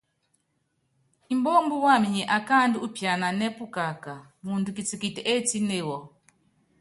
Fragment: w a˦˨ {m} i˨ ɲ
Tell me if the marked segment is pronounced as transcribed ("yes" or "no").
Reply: yes